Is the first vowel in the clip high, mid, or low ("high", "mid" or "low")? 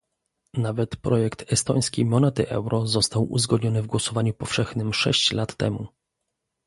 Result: low